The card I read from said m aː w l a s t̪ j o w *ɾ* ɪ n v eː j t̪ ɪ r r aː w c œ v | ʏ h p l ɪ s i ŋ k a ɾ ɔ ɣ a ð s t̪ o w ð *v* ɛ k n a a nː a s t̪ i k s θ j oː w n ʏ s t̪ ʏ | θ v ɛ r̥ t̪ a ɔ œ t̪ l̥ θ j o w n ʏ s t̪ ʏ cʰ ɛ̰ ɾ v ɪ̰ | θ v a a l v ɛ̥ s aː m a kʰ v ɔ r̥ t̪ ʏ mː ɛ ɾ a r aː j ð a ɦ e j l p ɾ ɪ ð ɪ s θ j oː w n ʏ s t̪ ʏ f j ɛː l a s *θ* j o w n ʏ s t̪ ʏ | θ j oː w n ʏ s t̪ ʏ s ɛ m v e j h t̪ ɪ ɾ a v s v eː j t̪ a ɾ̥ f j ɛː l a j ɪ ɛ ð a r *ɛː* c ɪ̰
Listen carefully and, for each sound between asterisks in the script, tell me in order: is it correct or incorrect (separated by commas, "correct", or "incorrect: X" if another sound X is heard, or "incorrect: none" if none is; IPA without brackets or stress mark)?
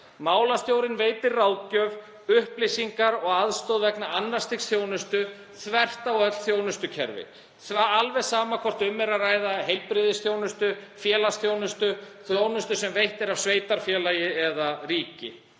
correct, correct, correct, incorrect: iː